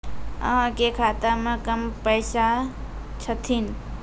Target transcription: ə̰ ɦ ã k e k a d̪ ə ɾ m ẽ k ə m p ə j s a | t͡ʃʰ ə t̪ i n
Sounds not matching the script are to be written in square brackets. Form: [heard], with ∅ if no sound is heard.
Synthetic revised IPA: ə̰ ɦ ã k e [kʰ] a [t̪] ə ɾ m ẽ k ə m p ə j s a | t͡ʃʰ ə [t̪ʰ] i n